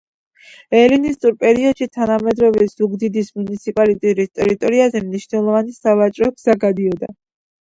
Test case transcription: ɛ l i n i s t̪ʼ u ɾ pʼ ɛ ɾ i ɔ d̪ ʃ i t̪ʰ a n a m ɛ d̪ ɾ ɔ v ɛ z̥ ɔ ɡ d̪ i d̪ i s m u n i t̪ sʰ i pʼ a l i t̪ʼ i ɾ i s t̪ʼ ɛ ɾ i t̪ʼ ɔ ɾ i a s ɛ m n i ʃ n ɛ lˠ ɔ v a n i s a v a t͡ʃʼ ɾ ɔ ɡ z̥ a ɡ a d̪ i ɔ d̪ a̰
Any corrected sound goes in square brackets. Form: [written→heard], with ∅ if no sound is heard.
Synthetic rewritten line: ɛ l i n i s t̪ʼ u ɾ pʼ ɛ ɾ i ɔ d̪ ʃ i t̪ʰ a n a m ɛ d̪ ɾ ɔ v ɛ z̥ [ɔ→u] ɡ d̪ i d̪ i s m u n i t̪ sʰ i pʼ a l i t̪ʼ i ɾ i s t̪ʼ ɛ ɾ i t̪ʼ ɔ ɾ i a [s→z] ɛ m n i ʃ n ɛ lˠ ɔ v a n i s a v a t͡ʃʼ ɾ ɔ ɡ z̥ a ɡ a d̪ i ɔ d̪ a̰